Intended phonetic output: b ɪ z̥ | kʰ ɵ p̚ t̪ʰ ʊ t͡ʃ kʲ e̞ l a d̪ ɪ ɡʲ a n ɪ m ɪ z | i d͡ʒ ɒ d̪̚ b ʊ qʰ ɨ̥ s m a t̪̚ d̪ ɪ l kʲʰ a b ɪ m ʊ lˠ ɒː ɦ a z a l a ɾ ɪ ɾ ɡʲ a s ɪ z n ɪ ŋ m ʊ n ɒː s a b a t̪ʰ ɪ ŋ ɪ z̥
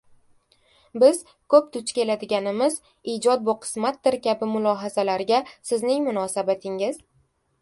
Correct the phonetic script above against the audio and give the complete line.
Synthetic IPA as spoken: b ɪ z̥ | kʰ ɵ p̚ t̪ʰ ʊ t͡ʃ kʲ e̞ l a d̪ ɪ ɡʲ a n ɪ m ɪ z | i d͡ʒ ɒ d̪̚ b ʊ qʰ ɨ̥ s m a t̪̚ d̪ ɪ ɾ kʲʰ a b ɪ m ʊ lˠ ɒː ɦ a z a l a ɾ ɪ ɡʲ a s ɪ z n ɪ ŋ m ʊ n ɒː s a b a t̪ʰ ɪ ŋ ɪ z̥